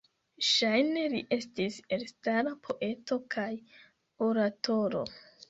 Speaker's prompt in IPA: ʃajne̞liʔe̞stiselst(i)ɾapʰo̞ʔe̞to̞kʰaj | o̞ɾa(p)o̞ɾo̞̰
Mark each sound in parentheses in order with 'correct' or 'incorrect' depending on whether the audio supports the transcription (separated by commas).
incorrect, incorrect